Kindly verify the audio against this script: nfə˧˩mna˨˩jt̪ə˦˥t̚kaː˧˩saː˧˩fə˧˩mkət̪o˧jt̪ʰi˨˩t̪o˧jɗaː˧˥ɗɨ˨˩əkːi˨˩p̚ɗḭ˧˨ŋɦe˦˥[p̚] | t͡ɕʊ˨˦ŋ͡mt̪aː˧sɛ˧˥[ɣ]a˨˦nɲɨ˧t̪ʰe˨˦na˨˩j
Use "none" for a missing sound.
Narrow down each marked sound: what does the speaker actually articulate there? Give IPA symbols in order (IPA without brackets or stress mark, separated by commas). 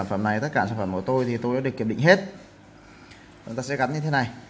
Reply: t̚, ɣ